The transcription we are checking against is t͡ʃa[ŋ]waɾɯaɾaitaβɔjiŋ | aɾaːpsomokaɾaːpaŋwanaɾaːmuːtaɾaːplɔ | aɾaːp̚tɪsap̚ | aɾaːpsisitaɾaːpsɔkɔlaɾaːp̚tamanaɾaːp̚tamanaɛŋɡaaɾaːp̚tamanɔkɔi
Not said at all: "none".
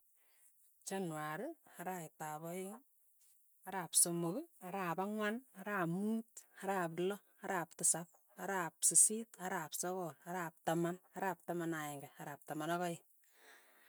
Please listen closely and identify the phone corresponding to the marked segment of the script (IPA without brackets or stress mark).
n